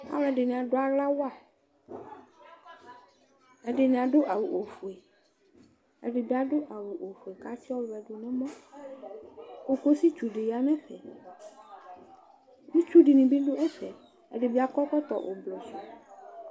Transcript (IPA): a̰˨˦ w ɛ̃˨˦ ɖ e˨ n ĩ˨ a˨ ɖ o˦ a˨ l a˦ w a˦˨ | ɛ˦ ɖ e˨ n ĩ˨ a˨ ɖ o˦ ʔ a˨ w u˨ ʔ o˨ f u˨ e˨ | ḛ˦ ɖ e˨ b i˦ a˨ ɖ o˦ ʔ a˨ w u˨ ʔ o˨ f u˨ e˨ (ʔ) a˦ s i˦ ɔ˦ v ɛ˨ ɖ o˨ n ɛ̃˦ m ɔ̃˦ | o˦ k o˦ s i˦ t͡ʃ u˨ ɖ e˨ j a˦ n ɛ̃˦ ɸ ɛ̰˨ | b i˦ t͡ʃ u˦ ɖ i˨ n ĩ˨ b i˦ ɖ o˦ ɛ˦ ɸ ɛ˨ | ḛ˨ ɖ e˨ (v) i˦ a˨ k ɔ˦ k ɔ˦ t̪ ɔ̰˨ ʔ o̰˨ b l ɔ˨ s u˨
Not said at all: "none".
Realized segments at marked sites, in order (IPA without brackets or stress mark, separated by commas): k, b